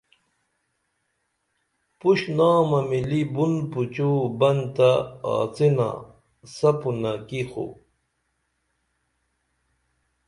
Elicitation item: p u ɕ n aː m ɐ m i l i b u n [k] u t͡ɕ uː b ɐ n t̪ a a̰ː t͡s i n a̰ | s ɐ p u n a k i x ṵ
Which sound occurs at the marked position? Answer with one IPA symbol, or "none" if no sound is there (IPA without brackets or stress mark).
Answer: p